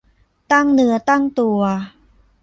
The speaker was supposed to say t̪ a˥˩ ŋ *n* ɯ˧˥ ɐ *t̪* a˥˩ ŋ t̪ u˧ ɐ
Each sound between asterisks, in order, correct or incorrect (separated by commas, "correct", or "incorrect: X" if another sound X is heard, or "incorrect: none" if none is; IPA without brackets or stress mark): correct, correct